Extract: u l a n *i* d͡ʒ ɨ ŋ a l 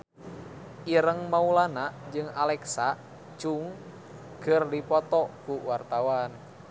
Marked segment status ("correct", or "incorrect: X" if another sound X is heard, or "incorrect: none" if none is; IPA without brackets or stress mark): incorrect: a